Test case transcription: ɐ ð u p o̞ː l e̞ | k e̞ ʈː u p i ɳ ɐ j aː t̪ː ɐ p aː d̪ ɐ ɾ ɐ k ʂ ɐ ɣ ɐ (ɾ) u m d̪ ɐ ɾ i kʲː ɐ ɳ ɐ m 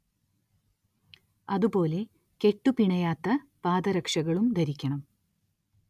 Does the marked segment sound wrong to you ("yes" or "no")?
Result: yes